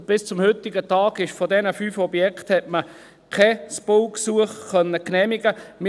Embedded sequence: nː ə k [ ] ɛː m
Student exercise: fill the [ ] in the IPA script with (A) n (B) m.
A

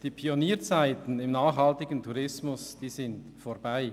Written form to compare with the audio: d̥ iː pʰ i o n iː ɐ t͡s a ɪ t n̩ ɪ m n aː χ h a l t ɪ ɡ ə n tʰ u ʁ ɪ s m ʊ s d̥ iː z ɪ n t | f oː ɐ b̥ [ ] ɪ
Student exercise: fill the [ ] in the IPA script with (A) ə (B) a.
B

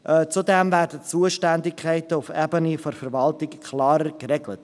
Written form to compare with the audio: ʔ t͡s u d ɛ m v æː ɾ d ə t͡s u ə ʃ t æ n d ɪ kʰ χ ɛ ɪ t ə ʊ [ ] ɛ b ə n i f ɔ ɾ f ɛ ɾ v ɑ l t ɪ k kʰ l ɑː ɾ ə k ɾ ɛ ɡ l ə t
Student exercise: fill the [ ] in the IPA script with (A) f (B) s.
A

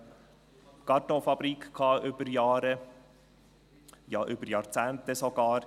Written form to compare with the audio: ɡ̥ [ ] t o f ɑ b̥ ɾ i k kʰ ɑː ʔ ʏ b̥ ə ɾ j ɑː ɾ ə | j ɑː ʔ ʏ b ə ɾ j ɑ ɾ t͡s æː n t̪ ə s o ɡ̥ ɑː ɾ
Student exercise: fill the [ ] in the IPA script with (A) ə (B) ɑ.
B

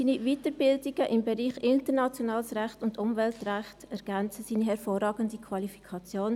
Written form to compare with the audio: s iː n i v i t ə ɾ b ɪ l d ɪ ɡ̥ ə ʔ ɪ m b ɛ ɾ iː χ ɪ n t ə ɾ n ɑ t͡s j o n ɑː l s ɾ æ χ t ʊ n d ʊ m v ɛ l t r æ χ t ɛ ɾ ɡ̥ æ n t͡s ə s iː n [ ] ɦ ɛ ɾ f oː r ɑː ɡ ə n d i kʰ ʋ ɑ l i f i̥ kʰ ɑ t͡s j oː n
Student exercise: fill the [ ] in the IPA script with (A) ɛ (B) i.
B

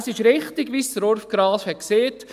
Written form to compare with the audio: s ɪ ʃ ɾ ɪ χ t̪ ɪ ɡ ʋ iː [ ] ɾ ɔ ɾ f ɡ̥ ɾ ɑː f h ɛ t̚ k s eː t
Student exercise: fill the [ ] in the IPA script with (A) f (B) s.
B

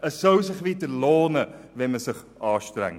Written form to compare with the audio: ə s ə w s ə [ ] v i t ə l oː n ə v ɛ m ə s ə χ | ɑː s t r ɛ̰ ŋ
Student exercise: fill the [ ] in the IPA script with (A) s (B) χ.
B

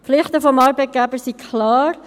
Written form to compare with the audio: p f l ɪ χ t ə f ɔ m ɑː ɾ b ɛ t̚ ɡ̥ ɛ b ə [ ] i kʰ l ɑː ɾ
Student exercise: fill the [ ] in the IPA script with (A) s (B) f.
A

